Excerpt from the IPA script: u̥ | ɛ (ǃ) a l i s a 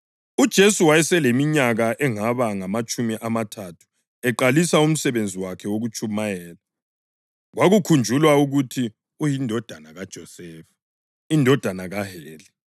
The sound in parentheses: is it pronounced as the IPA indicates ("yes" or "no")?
yes